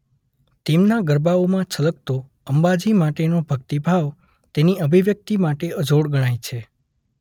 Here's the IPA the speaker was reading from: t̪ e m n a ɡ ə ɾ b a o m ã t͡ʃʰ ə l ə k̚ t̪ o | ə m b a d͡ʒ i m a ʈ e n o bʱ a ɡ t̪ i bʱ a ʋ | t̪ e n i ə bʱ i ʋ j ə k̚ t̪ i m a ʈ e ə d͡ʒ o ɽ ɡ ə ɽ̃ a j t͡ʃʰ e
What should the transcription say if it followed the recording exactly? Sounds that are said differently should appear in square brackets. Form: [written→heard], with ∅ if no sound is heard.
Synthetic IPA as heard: t̪ e m n a ɡ ə ɾ b a o m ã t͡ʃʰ ə l ə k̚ t̪ o | ə m b a d͡ʒ i m a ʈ e n o bʱ [a→ə] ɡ t̪ i bʱ a ʋ | t̪ e n i ə bʱ i ʋ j ə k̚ t̪ i m a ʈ e ə d͡ʒ o ɽ ɡ ə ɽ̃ a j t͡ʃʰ e

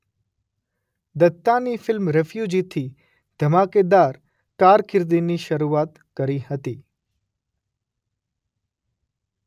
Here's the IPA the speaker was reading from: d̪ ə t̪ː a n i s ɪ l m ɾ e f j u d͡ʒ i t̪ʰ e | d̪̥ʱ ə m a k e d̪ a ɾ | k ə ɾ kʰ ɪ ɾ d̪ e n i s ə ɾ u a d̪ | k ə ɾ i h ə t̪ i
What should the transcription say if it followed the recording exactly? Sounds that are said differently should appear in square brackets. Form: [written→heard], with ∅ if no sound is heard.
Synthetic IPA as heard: d̪ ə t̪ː a n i [s→f] ɪ l m ɾ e f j u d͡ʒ i t̪ʰ [e→i] | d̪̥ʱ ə m a k e d̪ a ɾ | k [ə→a] ɾ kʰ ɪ ɾ d̪ [e→i] n i [s→ʃ] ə ɾ u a [d̪→t̪] | k ə ɾ i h ə t̪ i

